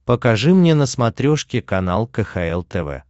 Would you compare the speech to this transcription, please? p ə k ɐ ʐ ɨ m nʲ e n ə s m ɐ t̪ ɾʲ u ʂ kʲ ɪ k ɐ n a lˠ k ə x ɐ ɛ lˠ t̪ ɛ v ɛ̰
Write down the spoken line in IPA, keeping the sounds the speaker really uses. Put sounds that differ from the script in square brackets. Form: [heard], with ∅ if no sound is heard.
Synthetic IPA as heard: p ə k ɐ ʐ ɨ m nʲ e n ə s m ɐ t̪ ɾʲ [o] ʂ kʲ ɪ k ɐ n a lˠ k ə x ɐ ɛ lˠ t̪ ɛ v ɛ̰